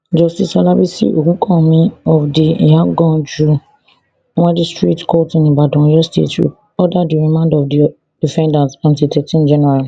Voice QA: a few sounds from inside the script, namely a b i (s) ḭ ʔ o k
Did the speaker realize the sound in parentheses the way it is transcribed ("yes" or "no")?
yes